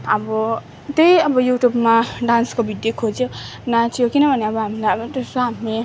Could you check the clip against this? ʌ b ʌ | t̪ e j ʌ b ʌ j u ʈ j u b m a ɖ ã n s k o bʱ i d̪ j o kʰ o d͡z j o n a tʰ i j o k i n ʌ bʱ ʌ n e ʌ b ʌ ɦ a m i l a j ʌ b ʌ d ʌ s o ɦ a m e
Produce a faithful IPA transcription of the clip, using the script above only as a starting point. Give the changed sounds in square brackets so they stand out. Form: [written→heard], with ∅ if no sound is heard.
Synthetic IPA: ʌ b ʌ | t̪ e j ʌ b ʌ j u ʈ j u b m a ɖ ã n s k o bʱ i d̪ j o kʰ o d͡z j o n a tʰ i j o k i n ʌ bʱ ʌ n e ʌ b ʌ ɦ a m i l a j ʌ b ʌ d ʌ s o ɦ a m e